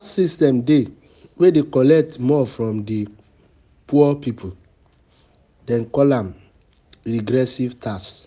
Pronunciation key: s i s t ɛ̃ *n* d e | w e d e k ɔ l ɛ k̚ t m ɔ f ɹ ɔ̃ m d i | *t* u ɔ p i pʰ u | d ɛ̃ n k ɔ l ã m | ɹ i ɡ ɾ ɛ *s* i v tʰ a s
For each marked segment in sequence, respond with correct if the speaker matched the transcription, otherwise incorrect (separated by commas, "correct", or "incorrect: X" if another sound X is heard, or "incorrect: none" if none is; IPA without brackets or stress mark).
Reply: incorrect: m, incorrect: p, correct